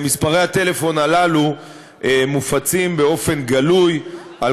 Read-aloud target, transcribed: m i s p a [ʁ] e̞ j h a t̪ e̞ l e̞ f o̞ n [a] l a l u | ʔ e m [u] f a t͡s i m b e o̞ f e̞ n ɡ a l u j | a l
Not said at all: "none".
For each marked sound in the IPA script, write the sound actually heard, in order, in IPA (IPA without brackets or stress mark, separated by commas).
ʁ, a, u